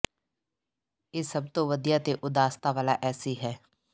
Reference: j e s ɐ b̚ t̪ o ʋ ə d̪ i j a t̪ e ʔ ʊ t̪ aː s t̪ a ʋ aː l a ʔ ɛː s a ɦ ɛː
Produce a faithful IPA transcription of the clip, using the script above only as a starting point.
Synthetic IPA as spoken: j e s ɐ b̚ t̪ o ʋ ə d̪ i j a t̪ e ʔ ʊ d̪ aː s t̪ a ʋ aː l a ʔ ɛː s i ɦ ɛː